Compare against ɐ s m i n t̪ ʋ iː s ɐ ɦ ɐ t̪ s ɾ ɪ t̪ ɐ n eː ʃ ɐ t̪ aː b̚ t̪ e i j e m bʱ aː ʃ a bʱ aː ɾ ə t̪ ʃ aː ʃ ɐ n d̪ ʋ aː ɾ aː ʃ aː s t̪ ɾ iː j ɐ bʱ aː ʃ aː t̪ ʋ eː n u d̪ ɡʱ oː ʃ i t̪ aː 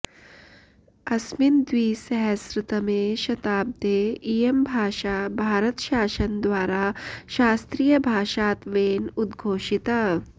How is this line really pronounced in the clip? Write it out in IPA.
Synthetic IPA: ɐ s m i n d̪ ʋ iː s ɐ ɦ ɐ s ɾ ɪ t̪ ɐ m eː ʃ ɐ t̪ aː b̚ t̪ e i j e m bʱ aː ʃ a bʱ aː ɾ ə t̪ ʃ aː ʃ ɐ n d̪ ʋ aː ɾ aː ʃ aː s t̪ ɾ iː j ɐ bʱ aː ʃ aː t̪ ʋ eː n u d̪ ɡʱ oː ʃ i t̪ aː